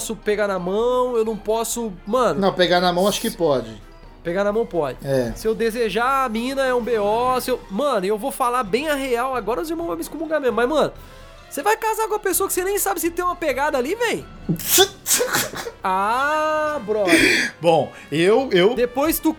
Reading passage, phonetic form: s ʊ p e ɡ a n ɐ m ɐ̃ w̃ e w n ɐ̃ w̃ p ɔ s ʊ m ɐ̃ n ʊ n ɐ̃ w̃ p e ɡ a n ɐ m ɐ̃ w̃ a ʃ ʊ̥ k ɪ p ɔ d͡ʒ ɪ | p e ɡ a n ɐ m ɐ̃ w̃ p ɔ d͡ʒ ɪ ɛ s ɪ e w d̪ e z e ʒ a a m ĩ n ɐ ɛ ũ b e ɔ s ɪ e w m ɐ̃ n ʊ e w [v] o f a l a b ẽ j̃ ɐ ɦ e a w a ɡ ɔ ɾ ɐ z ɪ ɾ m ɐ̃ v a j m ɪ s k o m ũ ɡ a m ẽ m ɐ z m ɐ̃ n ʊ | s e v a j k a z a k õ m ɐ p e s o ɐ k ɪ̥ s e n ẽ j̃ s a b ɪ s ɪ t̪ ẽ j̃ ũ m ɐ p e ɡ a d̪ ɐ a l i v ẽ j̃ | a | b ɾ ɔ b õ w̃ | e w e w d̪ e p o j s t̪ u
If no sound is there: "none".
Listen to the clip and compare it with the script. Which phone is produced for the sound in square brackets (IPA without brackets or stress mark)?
v